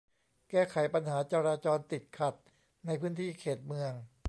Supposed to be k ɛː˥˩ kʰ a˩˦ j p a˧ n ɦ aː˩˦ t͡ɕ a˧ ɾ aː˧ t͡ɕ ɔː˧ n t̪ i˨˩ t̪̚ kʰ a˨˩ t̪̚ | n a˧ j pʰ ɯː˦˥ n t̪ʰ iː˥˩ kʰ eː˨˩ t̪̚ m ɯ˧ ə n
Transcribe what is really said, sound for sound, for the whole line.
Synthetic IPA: k ɛː˥˩ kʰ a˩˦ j p a˧ n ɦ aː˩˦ t͡ɕ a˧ ɾ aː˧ t͡ɕ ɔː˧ n t̪ i˨˩ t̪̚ kʰ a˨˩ t̪̚ | n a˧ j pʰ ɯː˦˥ n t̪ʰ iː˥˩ kʰ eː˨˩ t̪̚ m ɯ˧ ə ŋ

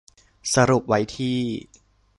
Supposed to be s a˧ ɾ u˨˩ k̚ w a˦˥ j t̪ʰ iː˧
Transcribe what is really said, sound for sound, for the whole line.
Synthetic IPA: s a˧ ɾ u˨˩ p̚ w a˦˥ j t̪ʰ iː˥˩

